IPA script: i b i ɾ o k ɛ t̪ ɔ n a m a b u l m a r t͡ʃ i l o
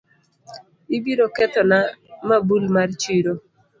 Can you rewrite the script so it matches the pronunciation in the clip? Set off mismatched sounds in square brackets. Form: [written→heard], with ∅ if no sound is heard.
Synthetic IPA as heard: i b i ɾ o k ɛ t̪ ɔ n a m a b u l m a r t͡ʃ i [l→ɾ] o